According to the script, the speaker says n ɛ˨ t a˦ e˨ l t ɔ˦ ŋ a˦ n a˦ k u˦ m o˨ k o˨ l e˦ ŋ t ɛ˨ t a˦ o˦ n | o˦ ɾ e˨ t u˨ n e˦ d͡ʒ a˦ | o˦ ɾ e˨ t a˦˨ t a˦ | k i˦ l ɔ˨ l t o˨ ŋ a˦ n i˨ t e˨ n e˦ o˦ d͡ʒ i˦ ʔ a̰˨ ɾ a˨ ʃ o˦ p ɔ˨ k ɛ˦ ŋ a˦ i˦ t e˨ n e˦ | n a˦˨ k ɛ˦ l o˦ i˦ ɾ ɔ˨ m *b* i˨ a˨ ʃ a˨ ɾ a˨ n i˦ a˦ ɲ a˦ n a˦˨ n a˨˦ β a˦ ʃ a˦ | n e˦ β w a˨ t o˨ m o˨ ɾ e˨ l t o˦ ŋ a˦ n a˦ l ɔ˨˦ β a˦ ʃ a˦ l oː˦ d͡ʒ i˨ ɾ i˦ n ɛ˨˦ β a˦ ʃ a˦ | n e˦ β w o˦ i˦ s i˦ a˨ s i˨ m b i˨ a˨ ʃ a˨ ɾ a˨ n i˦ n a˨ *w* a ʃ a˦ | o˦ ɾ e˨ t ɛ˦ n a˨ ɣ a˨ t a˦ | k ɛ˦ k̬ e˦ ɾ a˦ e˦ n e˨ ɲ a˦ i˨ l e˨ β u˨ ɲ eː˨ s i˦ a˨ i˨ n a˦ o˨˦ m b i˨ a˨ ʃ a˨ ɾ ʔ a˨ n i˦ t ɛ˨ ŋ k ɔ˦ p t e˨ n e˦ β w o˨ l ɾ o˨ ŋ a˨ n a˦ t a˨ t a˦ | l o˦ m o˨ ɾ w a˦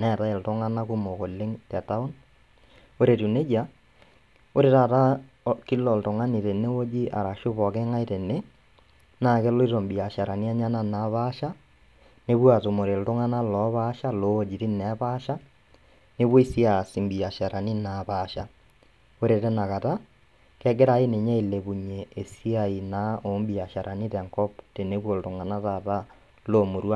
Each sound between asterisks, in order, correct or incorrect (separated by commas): correct, incorrect